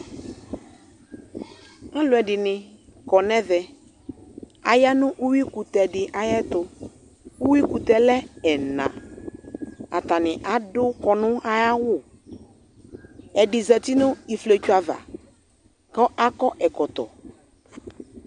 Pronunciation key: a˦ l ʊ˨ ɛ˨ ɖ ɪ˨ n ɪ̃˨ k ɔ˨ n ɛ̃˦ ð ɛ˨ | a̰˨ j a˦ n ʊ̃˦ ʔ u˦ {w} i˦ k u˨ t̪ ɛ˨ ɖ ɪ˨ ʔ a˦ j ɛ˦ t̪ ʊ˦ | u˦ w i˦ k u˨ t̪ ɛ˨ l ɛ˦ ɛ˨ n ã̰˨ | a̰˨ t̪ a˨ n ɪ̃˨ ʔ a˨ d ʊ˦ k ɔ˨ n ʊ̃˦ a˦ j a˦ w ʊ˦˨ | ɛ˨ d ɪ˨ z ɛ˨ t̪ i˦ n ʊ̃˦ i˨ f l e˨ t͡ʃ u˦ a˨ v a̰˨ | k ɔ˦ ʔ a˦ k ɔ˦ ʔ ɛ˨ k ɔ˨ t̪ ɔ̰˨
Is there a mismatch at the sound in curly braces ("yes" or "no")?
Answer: no